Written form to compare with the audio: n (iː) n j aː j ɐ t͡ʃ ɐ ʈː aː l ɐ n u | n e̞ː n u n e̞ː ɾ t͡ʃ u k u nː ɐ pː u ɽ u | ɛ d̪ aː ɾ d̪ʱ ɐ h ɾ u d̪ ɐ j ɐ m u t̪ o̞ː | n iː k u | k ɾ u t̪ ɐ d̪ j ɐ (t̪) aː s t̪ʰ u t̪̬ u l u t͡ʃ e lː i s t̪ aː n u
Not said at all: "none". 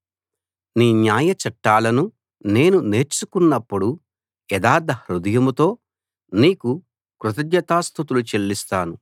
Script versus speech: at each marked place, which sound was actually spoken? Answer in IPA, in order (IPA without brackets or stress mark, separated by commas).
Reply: iː, t̪